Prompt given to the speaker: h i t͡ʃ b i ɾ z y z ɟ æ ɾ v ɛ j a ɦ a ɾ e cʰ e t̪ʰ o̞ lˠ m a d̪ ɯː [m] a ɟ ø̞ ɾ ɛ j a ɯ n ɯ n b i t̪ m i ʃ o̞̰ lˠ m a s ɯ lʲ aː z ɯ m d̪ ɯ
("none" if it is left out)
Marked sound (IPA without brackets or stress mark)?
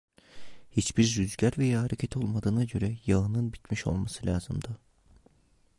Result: n